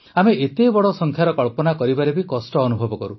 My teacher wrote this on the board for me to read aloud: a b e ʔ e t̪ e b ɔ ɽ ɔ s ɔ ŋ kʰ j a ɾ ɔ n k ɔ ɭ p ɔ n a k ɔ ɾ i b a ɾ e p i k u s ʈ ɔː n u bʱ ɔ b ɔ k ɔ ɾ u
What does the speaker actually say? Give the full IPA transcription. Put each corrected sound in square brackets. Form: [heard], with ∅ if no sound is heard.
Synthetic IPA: a [m] e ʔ e t̪ e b ɔ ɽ ɔ s ɔ ŋ kʰ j a ɾ ɔ [∅] k ɔ ɭ p ɔ n a k ɔ ɾ i b a ɾ e [b] i k [ɔ] s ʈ ɔː n u bʱ ɔ b ɔ k ɔ ɾ u